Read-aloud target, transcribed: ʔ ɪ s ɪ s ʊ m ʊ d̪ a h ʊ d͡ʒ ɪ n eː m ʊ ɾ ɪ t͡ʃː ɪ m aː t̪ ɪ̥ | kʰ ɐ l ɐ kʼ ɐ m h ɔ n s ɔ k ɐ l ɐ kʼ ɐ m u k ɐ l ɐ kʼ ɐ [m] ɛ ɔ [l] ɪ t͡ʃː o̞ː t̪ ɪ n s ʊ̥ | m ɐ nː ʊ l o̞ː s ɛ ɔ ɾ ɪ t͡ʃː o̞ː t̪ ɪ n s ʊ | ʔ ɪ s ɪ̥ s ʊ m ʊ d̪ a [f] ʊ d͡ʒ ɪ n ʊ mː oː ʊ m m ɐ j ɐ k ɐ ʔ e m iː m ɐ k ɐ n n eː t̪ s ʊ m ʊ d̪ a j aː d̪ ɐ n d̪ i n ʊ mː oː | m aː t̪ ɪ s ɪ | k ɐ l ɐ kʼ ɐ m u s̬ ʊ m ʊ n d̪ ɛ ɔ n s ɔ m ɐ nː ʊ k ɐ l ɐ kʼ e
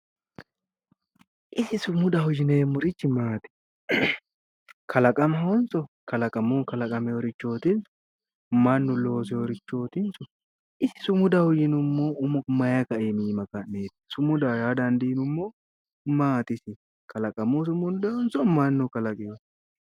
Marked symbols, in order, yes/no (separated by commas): yes, no, no